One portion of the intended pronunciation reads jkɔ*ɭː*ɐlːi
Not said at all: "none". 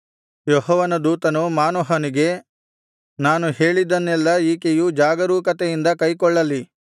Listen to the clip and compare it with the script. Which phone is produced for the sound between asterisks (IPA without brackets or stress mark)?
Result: ɭː